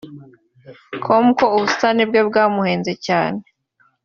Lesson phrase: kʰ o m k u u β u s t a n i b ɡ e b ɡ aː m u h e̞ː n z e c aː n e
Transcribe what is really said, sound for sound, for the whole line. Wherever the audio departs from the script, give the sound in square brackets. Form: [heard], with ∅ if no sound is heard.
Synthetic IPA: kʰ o m k [o] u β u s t a n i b ɡ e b ɡ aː m u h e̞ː n z e c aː n e